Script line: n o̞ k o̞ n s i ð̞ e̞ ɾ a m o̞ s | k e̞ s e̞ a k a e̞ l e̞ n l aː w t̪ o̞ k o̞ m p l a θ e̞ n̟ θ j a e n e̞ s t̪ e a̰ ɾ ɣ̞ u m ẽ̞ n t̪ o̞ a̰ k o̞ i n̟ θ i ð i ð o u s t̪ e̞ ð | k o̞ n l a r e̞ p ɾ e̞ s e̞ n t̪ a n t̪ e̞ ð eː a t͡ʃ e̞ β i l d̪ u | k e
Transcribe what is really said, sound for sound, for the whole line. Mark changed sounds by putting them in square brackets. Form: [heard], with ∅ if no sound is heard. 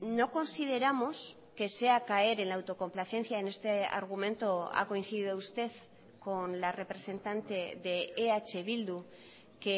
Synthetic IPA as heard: n o̞ k o̞ n s i ð̞ e̞ ɾ a m o̞ s | k e̞ s e̞ a k a e̞ [ɾ] e̞ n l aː w t̪ o̞ k o̞ m p l a θ e̞ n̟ θ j a e n e̞ s t̪ e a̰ ɾ ɣ̞ u m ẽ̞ n t̪ o̞ a̰ k o̞ i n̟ θ i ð i ð o u s t̪ e̞ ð | k o̞ n l a r e̞ p ɾ e̞ s e̞ n t̪ a n t̪ e̞ ð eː a t͡ʃ e̞ β i l d̪ u | k e